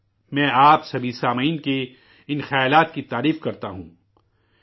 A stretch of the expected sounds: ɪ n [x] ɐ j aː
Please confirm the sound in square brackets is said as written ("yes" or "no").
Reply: yes